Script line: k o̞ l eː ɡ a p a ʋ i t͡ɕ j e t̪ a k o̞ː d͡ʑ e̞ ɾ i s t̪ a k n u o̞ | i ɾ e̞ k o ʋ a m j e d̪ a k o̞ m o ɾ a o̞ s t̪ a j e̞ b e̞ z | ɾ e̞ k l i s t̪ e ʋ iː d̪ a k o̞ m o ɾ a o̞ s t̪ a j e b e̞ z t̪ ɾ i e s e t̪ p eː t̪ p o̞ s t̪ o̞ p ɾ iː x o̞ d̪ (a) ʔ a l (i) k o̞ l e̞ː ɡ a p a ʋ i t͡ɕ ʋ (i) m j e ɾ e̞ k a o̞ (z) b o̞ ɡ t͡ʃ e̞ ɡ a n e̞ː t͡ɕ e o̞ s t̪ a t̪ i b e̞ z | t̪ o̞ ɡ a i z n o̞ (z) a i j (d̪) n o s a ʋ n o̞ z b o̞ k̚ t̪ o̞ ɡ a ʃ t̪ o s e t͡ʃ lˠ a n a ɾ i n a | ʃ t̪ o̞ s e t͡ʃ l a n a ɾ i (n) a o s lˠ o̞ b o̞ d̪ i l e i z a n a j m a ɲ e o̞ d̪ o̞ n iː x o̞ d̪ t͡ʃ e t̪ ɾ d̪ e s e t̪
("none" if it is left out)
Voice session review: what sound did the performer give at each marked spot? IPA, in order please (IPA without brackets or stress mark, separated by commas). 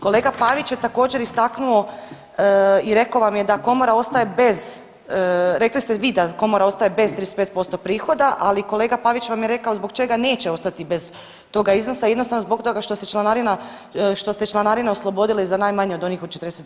a, i, a, z, s, d̪, n